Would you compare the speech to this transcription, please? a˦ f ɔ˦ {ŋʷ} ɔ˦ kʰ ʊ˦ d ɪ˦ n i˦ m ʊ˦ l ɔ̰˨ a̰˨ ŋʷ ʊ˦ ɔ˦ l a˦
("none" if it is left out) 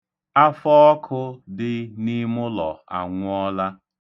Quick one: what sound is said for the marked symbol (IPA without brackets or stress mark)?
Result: none